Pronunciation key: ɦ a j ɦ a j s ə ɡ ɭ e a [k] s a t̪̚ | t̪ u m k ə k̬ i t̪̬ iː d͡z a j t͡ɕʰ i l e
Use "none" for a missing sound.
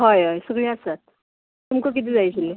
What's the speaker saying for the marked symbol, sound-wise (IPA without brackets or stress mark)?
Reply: none